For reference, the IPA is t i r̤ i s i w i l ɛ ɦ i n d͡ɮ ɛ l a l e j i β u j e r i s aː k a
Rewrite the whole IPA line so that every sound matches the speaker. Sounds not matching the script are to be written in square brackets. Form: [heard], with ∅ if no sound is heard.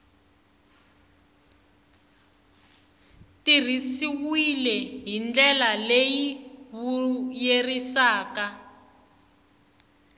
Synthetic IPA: t i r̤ i s i w i l ɛ ɦ i n d͡ɮ ɛ l a l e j i β u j e r i s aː k a